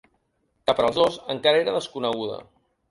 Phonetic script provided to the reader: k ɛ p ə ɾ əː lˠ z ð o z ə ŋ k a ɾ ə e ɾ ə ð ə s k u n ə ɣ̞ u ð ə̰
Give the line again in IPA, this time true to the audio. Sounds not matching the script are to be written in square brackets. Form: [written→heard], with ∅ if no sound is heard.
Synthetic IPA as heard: k [ɛ→a] p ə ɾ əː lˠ z ð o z ə ŋ k a ɾ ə e ɾ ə ð ə s k u n ə ɣ̞ u ð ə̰